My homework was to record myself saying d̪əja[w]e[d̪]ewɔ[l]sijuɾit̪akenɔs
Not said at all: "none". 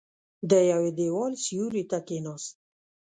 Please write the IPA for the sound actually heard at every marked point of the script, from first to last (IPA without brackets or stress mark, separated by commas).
w, d̪, l